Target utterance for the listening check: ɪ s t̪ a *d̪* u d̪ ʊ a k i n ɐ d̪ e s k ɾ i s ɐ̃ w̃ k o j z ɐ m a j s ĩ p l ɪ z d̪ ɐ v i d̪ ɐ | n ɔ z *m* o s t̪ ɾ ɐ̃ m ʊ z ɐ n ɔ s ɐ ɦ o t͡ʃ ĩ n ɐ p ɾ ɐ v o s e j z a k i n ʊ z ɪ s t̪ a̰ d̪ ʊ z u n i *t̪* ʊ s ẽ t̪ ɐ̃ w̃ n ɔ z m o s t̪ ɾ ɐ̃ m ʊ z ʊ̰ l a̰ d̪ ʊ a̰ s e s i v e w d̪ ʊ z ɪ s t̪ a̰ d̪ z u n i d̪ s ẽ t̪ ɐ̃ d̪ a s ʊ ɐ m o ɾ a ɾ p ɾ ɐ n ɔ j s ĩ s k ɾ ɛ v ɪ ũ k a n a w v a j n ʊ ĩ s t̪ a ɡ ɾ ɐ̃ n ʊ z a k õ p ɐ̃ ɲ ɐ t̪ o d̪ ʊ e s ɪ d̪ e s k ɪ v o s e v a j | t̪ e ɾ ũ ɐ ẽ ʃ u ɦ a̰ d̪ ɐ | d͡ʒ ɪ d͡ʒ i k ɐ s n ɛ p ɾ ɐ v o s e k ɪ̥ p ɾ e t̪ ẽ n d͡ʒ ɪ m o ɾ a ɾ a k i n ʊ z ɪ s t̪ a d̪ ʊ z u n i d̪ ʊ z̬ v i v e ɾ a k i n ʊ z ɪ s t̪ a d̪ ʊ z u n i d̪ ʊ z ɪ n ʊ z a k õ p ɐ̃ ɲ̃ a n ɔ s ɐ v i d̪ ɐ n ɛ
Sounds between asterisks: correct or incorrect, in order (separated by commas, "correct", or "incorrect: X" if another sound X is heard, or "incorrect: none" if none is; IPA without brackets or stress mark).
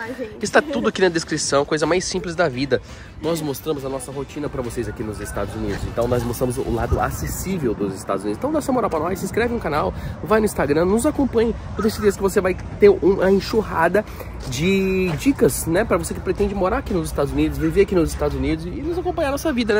incorrect: t̪, correct, incorrect: d̪